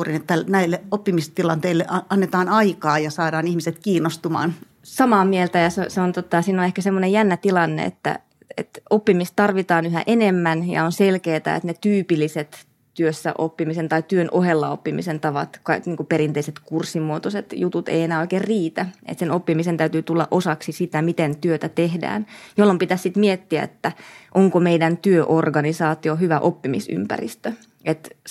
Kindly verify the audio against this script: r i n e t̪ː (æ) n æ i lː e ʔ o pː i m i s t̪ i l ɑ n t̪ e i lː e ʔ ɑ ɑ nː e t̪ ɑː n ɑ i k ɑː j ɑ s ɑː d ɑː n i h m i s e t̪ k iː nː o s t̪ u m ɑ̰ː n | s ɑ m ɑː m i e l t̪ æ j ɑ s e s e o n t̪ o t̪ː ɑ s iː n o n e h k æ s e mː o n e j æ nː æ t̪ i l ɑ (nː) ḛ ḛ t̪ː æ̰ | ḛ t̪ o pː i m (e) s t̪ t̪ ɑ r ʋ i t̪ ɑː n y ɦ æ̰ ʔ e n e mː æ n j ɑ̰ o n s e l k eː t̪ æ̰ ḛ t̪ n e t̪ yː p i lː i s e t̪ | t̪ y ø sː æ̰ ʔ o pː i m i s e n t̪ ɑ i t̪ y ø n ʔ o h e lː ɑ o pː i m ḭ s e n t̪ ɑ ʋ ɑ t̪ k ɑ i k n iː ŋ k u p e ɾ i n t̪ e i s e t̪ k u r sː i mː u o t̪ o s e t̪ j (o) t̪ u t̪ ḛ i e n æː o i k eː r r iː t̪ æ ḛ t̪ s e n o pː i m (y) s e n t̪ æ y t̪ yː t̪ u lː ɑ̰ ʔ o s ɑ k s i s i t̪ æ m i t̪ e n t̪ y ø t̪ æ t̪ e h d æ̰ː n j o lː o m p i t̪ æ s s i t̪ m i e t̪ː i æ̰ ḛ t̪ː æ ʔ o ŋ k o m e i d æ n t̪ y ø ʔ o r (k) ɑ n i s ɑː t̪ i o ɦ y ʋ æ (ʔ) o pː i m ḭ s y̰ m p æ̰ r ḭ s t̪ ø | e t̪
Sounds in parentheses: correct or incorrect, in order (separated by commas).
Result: correct, correct, incorrect, incorrect, incorrect, incorrect, correct